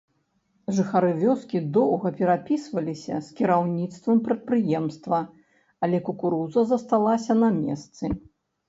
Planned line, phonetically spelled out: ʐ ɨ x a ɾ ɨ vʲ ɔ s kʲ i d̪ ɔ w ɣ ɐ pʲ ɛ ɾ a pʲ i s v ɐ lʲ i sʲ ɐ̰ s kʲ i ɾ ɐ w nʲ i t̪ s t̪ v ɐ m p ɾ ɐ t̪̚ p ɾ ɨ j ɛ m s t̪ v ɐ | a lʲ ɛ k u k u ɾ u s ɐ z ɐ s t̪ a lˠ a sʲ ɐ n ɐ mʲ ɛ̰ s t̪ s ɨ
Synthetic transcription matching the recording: ʐ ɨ x a ɾ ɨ vʲ ɔ s kʲ i d̪ ɔ w ɣ ɐ pʲ ɛ ɾ a pʲ i s v ɐ lʲ i sʲ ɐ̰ s kʲ i ɾ a w nʲ i t̪ s t̪ v ɐ m p ɾ ɐ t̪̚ p ɾ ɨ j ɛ m s t̪ v ɐ | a lʲ ɛ k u k u ɾ u z ɐ z ɐ s t̪ a lˠ a sʲ ɐ n ɐ mʲ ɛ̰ s t̪ s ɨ